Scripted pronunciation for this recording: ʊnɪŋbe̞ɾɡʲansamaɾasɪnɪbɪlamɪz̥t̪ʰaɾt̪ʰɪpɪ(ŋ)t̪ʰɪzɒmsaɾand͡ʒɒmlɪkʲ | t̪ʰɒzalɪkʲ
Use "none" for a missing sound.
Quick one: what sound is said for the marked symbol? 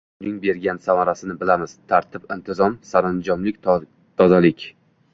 n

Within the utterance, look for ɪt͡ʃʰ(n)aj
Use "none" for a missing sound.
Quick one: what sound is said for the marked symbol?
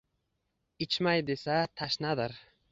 m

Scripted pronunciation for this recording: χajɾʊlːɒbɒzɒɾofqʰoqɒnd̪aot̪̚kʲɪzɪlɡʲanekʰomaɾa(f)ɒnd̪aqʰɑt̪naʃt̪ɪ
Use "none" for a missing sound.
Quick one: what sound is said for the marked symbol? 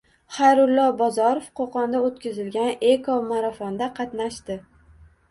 f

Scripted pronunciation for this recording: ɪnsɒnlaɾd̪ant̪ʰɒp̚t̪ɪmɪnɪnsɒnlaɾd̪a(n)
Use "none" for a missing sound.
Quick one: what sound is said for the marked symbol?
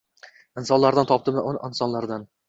n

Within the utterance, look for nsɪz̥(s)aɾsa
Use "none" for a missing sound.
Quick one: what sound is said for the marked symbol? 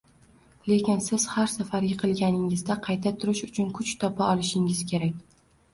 h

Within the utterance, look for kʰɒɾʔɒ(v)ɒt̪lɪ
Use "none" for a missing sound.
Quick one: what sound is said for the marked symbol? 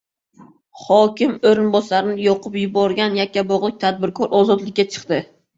z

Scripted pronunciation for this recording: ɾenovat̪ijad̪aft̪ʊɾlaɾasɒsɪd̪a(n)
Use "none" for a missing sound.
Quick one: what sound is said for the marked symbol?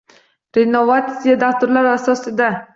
none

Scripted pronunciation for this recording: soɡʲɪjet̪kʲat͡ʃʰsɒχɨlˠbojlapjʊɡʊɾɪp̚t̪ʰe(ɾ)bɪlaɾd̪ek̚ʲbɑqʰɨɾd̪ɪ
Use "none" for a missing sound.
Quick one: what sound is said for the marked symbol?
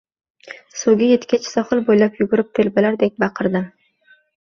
l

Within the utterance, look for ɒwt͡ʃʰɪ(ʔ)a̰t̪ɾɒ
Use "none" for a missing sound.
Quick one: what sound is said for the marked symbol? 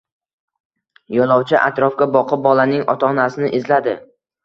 ʔ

